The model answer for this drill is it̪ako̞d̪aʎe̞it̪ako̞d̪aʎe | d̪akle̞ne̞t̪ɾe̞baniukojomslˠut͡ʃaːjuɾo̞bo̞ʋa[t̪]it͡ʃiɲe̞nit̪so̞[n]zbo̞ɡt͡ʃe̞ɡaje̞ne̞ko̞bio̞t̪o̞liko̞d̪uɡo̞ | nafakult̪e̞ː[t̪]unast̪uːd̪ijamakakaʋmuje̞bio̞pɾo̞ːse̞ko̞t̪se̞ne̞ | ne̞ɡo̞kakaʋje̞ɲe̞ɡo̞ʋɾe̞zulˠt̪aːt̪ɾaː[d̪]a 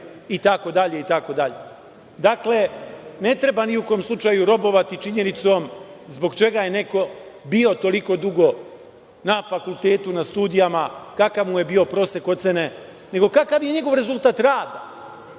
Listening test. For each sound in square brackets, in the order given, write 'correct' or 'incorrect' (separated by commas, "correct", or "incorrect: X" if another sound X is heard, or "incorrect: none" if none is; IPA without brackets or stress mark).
correct, incorrect: m, correct, correct